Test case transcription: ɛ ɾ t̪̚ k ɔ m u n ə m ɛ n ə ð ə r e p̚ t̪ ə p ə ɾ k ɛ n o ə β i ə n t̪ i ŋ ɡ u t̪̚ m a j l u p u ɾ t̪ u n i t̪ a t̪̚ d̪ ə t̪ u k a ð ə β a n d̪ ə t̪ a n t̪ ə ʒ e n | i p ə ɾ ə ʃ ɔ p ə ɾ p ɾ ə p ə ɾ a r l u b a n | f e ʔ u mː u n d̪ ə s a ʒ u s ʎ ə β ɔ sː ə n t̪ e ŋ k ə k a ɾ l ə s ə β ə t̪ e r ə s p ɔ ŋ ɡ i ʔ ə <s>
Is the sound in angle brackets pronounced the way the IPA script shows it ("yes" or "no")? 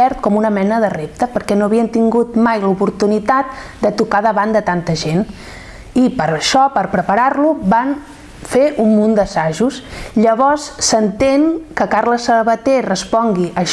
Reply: no